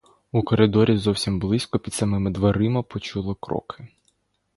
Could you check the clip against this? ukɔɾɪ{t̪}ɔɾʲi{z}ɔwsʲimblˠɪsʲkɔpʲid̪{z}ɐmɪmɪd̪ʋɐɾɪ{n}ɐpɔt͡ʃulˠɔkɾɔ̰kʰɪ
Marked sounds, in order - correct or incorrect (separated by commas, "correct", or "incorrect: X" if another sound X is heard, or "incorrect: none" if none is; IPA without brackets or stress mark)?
incorrect: d̪, correct, incorrect: s, incorrect: m